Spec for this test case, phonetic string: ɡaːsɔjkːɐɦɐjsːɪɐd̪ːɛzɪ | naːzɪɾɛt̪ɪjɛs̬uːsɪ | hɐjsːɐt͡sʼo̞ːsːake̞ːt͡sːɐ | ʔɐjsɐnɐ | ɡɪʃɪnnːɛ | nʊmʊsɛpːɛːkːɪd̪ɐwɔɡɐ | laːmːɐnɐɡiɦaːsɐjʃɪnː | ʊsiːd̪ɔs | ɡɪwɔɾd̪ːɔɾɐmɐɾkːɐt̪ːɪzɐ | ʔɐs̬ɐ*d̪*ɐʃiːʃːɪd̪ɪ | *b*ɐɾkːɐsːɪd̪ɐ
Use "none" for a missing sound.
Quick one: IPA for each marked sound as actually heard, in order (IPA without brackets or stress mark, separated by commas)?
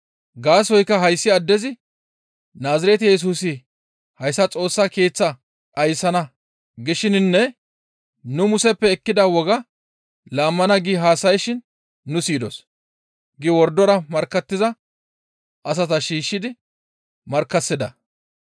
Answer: t̪, m